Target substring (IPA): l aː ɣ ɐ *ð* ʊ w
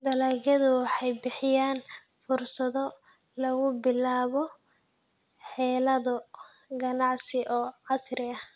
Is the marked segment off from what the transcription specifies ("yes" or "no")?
no